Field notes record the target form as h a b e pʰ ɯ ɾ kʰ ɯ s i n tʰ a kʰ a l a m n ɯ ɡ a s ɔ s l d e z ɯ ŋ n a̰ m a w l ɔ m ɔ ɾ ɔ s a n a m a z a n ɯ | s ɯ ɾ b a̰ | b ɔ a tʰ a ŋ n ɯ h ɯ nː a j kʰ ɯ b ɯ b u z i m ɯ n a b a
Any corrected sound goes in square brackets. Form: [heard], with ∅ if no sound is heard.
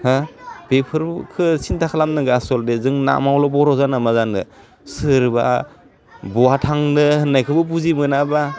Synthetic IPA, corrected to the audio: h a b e pʰ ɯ ɾ kʰ ɯ s i n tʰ a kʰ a l a m n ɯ ɡ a s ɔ [∅] l d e z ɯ ŋ n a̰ m a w l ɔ [b] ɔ ɾ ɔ [z] a n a m a z a n ɯ | s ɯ ɾ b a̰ | b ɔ a tʰ a ŋ n ɯ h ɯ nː a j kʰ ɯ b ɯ b u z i m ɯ n a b a